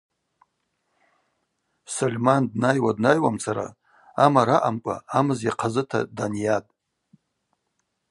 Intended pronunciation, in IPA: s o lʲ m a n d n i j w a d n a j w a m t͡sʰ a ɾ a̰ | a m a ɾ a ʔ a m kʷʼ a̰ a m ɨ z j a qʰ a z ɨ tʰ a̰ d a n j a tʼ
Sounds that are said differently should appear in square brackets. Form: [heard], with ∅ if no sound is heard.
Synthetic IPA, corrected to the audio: s o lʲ m a n d n [a] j w a d n a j w a m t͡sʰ a ɾ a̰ | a m a ɾ a ʔ a m kʷʼ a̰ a m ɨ z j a qʰ a z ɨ tʰ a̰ d a n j a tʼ

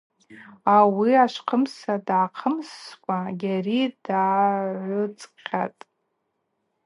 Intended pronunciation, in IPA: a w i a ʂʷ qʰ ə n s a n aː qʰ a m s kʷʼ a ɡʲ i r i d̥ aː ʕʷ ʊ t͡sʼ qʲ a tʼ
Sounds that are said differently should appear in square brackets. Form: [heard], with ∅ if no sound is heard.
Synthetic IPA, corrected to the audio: a w i a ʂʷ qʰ ə [m] s a [d] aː qʰ [ə] m s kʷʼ a ɡʲ [a] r i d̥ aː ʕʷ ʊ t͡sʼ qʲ a tʼ

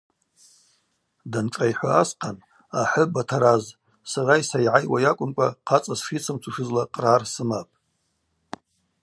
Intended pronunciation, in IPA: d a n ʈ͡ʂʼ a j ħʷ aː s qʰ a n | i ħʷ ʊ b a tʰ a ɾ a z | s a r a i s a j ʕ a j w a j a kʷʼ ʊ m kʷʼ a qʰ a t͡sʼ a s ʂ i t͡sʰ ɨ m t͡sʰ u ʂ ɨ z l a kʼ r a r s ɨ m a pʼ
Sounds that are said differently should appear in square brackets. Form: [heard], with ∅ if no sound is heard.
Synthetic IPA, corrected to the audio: d a n ʈ͡ʂʼ a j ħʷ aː s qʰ a n | [a] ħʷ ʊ b a tʰ a ɾ a z | s a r a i s a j ʕ a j w a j a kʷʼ ʊ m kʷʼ a qʰ a t͡sʼ a s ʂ i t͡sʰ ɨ m t͡sʰ u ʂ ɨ z l a [qʼ] r a r s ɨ m a pʼ

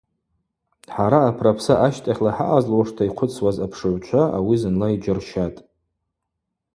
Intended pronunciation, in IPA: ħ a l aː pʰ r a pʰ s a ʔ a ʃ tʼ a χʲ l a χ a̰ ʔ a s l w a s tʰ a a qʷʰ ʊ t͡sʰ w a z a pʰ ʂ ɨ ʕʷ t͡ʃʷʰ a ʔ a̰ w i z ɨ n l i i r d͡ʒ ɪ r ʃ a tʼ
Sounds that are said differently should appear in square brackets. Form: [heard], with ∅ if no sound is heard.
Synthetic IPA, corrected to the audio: ħ a [ɾ] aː pʰ r a pʰ s a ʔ a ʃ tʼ a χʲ l a [ħ] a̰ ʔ a [z] l w a [ʂ] tʰ a [i] qʷʰ ʊ t͡sʰ w a z a pʰ ʂ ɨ ʕʷ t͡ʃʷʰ a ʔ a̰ w i z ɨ n l [a] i [∅] d͡ʒ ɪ r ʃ a tʼ

